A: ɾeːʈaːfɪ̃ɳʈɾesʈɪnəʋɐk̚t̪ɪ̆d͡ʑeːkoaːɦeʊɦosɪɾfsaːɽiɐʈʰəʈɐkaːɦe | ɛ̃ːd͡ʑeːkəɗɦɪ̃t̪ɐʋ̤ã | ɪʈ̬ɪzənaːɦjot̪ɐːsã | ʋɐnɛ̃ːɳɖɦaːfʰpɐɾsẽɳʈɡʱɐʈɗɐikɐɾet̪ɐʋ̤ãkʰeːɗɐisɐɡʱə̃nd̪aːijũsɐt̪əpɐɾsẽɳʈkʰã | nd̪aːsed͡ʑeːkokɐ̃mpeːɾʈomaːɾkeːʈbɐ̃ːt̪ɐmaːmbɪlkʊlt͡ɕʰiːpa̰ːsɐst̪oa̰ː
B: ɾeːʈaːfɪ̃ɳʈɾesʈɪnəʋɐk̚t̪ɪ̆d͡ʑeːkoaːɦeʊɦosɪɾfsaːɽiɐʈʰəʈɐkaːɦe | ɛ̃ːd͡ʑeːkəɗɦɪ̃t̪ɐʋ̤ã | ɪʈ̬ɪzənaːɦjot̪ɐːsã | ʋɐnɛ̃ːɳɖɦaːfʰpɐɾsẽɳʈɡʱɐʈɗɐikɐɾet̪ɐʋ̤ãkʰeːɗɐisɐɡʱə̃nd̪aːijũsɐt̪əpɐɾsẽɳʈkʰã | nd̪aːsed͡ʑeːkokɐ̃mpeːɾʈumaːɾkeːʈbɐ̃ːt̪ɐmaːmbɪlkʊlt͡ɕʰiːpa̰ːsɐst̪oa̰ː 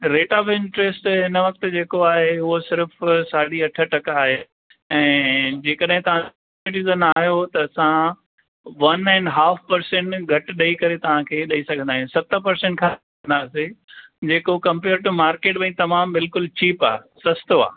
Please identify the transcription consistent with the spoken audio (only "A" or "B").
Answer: B